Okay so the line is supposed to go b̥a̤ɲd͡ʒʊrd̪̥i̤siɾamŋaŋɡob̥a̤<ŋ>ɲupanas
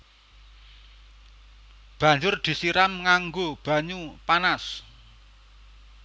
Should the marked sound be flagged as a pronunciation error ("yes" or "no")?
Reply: yes